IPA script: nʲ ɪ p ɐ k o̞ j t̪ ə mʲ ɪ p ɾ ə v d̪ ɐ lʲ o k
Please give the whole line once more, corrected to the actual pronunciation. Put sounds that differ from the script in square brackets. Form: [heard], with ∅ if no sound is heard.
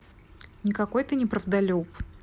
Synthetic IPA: nʲ ɪ [k] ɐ k o̞ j t̪ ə [nʲ] ɪ p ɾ ə v d̪ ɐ lʲ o [p]